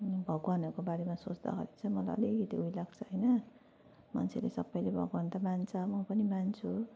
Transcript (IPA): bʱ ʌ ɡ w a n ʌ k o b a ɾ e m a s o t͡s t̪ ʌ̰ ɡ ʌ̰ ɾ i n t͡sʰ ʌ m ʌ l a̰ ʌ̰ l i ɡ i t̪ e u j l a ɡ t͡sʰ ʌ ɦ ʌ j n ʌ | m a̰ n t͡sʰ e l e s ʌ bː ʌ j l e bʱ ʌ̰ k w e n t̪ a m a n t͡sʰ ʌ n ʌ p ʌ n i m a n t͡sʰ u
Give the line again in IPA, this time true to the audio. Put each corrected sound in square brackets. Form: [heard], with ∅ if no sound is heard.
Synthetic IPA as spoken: bʱ ʌ ɡ w a n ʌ k o b a ɾ e m a s o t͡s [d̪] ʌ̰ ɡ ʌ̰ ɾ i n t͡sʰ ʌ m ʌ l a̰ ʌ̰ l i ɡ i t̪ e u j l a ɡ t͡sʰ ʌ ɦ ʌ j n ʌ | m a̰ n t͡sʰ e l e s ʌ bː ʌ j l e bʱ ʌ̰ [ɡ] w [a] n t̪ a m a n t͡sʰ ʌ [m] ʌ p ʌ n i m a n t͡sʰ u